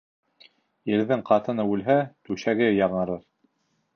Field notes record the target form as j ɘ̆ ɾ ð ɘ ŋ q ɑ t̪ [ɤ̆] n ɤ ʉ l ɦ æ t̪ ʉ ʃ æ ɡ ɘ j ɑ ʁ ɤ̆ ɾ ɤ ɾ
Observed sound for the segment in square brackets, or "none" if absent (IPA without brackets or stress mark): ɤ̆